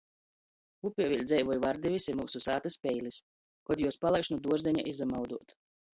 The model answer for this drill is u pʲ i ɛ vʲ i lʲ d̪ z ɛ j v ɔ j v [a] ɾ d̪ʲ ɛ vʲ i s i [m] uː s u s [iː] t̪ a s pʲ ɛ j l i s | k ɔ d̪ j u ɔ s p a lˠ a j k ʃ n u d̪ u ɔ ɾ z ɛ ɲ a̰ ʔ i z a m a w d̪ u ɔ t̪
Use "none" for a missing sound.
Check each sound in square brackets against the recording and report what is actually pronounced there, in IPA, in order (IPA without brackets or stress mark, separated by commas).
a, m, aː